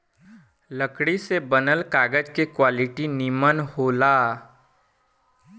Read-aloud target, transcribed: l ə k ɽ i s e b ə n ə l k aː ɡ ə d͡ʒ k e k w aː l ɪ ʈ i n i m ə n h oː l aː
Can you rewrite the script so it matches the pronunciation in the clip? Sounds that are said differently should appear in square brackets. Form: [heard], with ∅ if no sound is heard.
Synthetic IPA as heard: l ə k ɽ i s e b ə n ə l k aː ɡ ə d͡ʒ k e k w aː l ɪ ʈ i n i m ə n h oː l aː